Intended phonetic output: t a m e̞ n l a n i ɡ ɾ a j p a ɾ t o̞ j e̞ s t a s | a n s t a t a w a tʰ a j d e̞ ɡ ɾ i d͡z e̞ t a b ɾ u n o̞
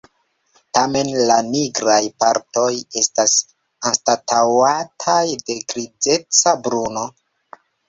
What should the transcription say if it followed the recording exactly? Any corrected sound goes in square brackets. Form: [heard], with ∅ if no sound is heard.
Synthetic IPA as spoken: t a m e̞ n l a n i ɡ ɾ a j p a ɾ t o̞ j e̞ s t a s | a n s t a t a w a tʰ a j d e̞ ɡ ɾ i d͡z e̞ [t͡s] a b ɾ u n o̞